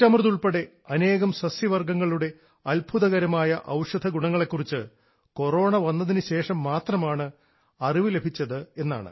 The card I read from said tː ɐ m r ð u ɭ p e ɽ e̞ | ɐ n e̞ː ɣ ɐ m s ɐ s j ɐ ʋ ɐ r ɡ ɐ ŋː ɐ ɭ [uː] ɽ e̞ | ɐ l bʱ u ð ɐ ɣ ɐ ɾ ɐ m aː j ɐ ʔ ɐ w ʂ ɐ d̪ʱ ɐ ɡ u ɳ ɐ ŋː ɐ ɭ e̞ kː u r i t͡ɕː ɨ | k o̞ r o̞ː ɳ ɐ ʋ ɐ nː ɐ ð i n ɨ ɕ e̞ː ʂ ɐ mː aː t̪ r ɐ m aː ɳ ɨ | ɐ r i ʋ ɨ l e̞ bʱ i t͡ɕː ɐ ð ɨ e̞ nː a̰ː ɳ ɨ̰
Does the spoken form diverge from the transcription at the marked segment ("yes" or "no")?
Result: yes